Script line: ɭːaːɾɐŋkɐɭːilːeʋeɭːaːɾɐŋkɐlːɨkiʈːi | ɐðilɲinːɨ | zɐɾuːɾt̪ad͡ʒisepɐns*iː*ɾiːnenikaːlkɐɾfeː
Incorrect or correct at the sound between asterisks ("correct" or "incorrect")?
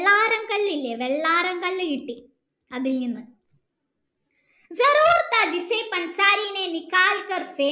incorrect